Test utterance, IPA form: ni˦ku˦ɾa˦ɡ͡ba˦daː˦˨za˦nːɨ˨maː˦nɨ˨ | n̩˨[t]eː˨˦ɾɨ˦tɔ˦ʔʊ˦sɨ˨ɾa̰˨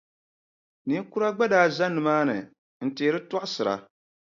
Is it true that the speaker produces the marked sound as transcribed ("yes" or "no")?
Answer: yes